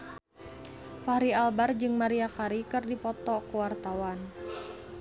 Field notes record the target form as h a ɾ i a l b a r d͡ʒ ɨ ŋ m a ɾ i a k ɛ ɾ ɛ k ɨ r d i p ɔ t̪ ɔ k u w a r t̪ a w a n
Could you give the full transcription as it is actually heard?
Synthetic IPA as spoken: f a ɾ i a l b a r d͡ʒ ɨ ŋ m a ɾ i a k a ɾ i k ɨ r d i p ɔ t̪ ɔ k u w a r t̪ a w a n